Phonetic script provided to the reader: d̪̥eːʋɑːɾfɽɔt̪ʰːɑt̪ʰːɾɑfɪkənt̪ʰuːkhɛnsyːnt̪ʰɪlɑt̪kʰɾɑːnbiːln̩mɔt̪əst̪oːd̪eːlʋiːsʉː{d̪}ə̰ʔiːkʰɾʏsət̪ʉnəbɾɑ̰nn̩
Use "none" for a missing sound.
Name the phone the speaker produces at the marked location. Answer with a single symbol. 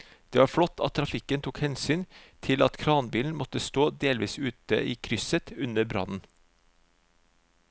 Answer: t̪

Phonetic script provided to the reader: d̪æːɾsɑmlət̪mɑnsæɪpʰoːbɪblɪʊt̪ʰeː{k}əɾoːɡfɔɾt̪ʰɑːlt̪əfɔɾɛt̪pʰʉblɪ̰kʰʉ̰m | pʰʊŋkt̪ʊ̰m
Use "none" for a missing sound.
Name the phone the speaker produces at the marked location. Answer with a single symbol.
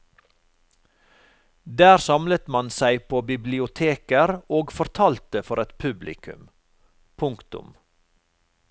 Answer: k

